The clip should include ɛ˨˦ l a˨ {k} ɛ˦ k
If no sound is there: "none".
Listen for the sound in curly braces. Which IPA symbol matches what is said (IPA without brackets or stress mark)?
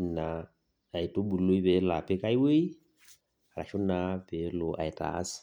p